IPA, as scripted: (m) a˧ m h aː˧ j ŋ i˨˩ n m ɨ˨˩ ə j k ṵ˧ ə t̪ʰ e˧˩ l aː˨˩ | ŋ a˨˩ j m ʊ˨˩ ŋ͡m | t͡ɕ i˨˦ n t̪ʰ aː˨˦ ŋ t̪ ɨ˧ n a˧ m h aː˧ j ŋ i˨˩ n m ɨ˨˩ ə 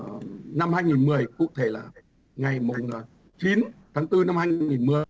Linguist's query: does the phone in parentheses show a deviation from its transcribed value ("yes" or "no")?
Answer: yes